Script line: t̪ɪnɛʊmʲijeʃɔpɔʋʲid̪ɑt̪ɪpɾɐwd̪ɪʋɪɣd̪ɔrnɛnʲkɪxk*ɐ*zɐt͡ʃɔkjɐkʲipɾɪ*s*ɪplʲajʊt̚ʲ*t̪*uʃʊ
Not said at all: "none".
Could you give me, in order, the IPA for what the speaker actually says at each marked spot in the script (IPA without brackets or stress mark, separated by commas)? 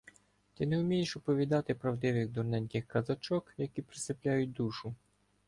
ɐ, s, d̪